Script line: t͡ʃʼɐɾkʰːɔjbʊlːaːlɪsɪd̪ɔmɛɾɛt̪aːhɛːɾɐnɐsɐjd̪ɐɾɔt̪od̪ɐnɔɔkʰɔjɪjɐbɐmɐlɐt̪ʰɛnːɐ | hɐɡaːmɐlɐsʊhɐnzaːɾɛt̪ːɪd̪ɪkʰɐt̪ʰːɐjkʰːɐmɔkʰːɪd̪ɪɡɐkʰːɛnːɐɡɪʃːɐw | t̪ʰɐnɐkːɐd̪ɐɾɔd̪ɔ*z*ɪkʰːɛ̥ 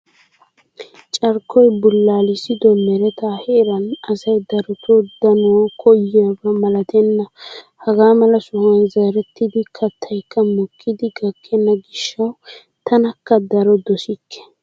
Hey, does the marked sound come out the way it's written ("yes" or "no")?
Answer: no